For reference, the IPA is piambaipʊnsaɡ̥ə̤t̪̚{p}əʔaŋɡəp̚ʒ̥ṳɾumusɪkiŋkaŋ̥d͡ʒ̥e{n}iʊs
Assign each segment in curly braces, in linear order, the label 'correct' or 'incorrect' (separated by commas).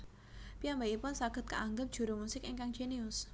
incorrect, correct